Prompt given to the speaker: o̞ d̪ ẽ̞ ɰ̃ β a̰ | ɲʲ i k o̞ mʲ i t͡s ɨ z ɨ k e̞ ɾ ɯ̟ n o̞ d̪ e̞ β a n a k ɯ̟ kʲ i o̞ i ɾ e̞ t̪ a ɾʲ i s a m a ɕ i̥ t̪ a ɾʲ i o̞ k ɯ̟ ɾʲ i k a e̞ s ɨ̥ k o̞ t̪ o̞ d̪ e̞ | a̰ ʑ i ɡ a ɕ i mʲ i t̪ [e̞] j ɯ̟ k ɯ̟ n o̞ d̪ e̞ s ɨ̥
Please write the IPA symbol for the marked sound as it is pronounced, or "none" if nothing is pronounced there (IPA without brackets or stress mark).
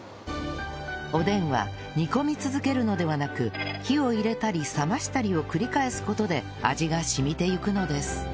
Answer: e̞